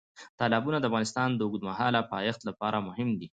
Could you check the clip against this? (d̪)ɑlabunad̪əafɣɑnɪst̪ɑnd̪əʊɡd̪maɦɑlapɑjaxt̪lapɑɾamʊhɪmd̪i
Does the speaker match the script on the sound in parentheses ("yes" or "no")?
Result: no